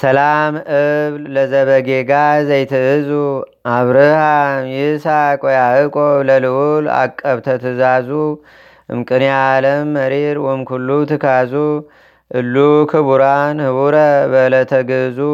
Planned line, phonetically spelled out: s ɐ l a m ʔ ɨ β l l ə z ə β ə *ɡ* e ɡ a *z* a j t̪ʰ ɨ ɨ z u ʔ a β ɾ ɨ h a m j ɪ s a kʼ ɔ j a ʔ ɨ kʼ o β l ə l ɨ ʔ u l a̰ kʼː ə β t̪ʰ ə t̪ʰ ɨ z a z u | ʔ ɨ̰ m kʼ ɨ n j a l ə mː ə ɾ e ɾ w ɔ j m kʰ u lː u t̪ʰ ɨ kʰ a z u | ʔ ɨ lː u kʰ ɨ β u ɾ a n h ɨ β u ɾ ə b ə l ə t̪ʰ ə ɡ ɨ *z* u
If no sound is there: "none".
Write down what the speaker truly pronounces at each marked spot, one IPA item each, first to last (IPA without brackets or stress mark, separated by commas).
ɡ, z, z